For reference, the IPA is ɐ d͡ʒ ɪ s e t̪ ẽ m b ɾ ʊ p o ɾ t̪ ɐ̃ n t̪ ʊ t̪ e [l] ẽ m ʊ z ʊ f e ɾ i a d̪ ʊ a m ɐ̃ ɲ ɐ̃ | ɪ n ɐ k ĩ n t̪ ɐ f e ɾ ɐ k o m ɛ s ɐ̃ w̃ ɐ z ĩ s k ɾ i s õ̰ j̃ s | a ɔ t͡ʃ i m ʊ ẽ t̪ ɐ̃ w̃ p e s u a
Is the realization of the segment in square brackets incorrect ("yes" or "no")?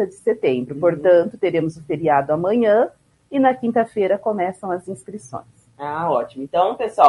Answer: yes